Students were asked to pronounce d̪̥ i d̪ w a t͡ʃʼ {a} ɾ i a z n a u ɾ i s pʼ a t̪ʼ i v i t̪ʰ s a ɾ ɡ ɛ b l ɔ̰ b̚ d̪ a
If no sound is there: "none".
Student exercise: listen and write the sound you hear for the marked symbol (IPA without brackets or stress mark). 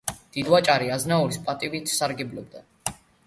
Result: a